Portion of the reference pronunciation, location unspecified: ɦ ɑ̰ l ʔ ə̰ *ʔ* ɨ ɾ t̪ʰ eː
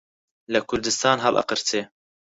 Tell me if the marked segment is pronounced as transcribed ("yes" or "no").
no